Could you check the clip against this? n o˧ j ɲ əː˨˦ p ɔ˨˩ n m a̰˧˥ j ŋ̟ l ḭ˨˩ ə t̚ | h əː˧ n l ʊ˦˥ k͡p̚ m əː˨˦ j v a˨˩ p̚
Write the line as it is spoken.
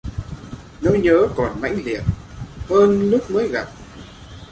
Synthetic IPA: n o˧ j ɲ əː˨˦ k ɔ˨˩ n m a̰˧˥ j ŋ̟ l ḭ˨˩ ə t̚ | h əː˧ n l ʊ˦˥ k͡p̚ m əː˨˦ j ɣ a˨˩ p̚